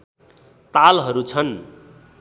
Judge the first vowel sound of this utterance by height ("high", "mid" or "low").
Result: low